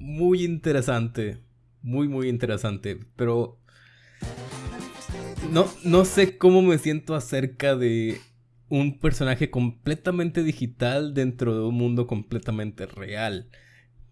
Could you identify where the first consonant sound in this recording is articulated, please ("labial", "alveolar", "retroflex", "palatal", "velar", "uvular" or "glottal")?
labial